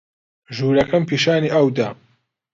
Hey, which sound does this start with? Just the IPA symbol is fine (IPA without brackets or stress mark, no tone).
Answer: ʒ